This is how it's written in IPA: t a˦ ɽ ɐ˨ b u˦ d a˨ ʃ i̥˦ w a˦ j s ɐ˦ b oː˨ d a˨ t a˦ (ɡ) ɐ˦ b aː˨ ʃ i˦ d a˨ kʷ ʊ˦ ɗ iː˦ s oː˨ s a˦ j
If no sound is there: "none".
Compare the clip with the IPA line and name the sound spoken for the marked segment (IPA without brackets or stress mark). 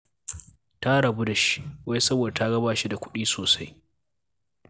ɡ